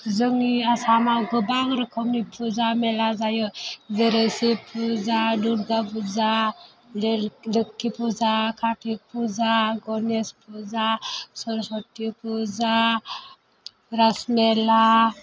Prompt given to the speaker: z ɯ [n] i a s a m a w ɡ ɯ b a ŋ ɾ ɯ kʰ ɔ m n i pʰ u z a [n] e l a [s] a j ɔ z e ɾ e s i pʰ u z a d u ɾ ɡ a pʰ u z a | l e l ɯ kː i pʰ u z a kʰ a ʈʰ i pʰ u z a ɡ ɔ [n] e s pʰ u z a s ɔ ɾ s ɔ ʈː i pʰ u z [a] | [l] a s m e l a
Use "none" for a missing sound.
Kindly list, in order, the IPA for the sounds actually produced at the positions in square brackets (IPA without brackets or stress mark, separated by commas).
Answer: ŋ, m, z, n, a, ɾ